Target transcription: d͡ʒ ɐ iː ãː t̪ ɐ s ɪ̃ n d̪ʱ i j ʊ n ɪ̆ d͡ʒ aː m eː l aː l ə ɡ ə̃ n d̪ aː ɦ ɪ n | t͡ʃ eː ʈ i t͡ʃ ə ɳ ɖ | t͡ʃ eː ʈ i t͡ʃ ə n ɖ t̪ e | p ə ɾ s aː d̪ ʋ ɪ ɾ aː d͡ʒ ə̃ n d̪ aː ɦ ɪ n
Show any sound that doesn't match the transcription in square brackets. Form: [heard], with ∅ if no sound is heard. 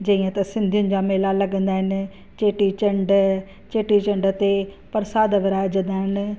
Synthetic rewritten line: d͡ʒ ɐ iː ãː t̪ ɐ s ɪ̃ n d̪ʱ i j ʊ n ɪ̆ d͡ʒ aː m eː l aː l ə ɡ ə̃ n d̪ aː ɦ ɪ n | t͡ʃ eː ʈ i t͡ʃ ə ɳ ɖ | t͡ʃ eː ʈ i t͡ʃ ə [ɳ] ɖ t̪ e | p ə ɾ s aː d̪ ʋ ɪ ɾ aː d͡ʒ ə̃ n d̪ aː ɦ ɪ n